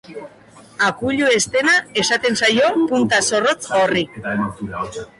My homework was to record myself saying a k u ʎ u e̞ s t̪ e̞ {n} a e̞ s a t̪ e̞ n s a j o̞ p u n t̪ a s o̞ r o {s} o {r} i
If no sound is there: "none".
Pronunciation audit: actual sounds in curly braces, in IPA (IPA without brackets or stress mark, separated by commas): n, t͡s, r